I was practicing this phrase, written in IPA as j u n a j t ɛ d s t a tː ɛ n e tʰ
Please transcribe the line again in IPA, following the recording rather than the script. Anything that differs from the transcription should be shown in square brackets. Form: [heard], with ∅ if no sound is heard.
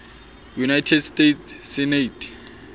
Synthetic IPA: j u n a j [tʰ] ɛ d s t [e] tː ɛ n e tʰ